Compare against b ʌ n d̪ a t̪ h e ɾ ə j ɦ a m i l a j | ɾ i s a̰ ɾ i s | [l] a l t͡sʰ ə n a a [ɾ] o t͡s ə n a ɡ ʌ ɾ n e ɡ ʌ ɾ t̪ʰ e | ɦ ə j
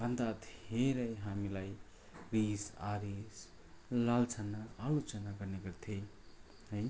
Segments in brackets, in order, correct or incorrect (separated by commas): correct, incorrect